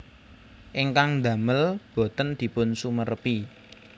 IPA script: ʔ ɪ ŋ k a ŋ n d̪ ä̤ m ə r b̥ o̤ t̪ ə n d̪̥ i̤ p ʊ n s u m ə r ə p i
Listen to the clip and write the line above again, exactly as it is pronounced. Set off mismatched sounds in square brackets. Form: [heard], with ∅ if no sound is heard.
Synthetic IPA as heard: ʔ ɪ ŋ k a ŋ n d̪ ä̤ m ə [l] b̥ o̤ t̪ ə n d̪̥ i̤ p ʊ n s u m ə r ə p i